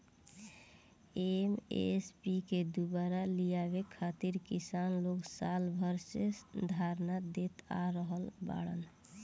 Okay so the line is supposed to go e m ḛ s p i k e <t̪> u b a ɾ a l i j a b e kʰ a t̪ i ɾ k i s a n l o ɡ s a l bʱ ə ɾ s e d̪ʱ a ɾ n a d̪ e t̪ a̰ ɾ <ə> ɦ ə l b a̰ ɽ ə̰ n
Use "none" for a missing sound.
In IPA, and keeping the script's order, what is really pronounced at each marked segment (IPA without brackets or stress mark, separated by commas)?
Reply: d̪, ə